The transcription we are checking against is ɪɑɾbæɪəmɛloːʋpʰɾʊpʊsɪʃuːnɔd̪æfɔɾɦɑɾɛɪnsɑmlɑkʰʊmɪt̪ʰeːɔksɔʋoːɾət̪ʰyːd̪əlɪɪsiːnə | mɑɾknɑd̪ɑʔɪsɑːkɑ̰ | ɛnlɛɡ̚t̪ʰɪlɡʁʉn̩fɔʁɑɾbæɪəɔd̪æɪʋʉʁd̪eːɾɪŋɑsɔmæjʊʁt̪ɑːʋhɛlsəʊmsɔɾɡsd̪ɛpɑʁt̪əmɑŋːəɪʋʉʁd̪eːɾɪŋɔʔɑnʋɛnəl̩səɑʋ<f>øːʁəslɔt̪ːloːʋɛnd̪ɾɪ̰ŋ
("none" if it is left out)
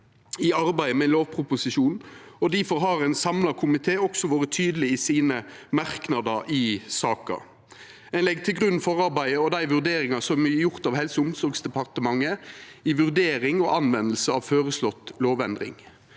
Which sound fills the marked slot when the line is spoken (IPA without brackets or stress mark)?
f